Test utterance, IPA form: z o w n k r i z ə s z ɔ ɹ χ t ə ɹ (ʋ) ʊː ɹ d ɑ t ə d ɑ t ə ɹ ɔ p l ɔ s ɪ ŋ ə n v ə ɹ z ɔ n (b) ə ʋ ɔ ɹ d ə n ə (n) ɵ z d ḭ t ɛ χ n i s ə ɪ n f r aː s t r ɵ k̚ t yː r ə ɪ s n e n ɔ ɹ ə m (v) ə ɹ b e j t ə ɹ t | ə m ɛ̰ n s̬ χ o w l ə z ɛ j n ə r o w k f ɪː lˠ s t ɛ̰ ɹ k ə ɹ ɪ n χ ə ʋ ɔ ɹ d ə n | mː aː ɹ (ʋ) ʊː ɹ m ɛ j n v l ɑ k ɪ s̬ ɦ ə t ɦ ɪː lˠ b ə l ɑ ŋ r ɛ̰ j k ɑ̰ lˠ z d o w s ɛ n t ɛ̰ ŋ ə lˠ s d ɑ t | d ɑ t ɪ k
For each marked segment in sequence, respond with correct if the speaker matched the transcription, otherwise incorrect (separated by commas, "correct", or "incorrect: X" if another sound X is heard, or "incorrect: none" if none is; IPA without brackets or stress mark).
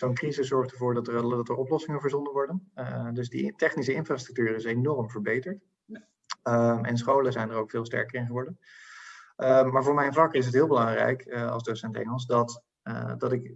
incorrect: v, incorrect: d, incorrect: d, correct, incorrect: v